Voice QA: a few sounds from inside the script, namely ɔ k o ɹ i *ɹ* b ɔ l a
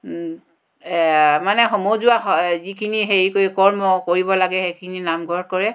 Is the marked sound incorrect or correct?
incorrect: none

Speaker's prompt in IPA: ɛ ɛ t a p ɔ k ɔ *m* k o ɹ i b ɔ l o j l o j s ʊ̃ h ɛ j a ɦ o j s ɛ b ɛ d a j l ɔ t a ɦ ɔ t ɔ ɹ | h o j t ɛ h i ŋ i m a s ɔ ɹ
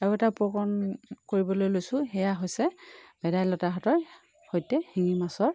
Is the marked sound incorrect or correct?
incorrect: n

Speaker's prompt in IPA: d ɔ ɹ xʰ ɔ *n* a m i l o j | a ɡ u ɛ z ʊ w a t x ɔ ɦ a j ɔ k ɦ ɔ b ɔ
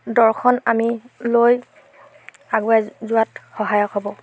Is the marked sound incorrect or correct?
correct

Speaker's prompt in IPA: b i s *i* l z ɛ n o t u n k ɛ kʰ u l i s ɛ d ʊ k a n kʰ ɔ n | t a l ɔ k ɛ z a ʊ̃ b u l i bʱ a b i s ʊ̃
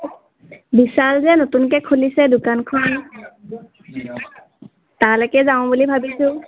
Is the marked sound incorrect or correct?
incorrect: a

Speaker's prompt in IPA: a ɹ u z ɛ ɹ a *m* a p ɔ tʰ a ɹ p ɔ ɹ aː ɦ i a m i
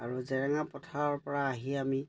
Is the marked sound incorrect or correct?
incorrect: ŋ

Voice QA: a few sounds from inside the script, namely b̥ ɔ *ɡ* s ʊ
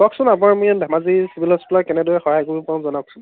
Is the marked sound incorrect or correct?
incorrect: k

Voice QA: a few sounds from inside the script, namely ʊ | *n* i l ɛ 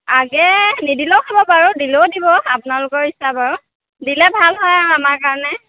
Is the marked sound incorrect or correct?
incorrect: d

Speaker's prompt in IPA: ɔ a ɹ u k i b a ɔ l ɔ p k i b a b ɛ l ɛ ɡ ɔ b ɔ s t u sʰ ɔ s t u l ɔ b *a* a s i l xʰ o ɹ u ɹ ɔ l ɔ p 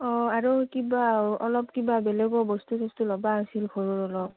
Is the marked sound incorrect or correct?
correct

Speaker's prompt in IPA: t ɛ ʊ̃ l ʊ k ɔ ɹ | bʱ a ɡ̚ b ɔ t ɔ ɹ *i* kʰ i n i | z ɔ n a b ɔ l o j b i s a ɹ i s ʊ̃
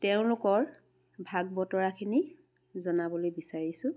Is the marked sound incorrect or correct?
incorrect: a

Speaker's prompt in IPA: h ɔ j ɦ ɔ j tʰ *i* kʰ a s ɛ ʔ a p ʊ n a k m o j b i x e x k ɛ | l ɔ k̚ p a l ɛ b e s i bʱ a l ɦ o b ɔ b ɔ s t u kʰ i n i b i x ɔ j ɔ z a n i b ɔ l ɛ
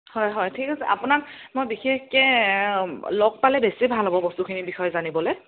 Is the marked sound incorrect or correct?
correct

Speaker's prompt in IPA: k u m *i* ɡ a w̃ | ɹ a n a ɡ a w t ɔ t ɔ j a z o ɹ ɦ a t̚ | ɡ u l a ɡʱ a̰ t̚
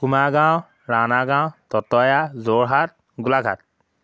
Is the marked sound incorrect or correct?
incorrect: a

